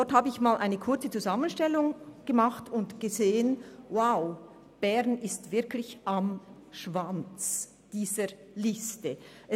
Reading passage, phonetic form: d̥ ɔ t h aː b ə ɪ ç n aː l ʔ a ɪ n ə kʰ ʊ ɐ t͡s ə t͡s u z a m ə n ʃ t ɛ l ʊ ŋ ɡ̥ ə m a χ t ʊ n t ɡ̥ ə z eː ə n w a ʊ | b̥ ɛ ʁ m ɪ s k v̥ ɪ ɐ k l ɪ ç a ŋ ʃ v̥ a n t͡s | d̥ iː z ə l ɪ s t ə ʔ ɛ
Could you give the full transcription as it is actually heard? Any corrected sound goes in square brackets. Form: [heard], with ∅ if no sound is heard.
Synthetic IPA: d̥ ɔ t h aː b ə ɪ ç [m] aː l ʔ a ɪ n ə kʰ ʊ ɐ t͡s ə t͡s u z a m ə n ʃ t ɛ l ʊ ŋ ɡ̥ ə m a χ t ʊ n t ɡ̥ ə z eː ə n w a ʊ | b̥ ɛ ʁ [n] ɪ s [t] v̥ ɪ ɐ k l ɪ ç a [m] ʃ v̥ a n t͡s | d̥ iː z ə l ɪ s t ə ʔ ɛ